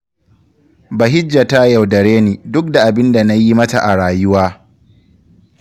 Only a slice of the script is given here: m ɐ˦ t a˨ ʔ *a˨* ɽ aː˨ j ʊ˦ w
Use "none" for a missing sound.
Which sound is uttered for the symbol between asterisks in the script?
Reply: a˨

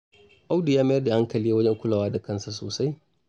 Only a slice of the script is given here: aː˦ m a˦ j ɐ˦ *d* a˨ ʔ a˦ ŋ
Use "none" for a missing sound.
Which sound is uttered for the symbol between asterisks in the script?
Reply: d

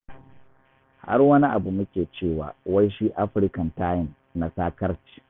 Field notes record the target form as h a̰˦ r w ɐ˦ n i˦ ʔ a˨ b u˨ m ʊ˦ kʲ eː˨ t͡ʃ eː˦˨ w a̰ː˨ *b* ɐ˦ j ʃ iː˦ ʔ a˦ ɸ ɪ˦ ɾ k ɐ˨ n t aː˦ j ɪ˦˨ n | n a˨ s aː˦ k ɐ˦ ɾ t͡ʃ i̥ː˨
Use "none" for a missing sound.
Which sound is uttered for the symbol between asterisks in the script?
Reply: w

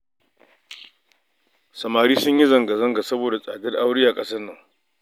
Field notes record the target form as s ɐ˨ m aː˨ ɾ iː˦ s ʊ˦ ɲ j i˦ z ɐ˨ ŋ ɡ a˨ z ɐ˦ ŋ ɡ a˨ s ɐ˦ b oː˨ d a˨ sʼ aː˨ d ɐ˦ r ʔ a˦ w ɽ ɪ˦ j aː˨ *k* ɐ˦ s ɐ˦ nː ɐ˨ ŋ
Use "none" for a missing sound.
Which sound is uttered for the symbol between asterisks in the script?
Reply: kʼ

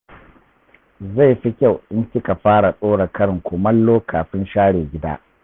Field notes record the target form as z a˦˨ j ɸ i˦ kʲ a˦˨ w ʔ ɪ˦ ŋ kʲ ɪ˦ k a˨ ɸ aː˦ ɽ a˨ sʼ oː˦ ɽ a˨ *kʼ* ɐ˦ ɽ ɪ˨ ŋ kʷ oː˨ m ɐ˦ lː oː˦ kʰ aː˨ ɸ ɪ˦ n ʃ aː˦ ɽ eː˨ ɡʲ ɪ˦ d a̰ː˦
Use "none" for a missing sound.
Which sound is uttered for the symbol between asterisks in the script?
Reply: k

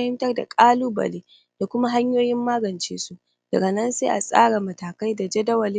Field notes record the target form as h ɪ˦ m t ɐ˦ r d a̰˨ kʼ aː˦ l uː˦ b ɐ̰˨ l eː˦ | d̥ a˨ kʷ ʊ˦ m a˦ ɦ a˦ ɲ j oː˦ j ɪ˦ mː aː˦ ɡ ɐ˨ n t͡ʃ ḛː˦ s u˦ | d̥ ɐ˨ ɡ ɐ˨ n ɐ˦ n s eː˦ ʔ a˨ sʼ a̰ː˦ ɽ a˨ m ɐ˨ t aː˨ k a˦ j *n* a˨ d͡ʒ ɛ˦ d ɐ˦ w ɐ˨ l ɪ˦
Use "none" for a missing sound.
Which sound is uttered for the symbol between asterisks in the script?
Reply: d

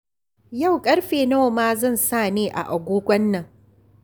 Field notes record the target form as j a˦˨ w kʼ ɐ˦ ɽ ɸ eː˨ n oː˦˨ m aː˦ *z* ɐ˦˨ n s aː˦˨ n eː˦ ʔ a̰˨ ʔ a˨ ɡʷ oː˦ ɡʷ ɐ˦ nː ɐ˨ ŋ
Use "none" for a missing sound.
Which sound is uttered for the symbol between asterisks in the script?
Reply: z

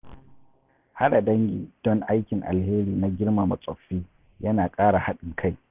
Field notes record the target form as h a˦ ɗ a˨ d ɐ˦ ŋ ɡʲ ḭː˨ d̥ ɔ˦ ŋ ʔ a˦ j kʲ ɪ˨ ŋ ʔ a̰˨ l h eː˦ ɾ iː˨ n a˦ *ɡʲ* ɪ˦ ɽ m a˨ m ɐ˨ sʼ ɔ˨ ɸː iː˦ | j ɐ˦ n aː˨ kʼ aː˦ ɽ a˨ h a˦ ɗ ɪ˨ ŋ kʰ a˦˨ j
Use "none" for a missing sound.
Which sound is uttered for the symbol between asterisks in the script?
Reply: ɡʲ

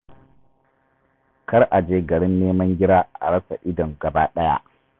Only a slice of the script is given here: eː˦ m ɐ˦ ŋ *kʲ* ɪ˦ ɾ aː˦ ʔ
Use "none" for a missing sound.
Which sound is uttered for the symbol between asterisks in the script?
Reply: ɡʲ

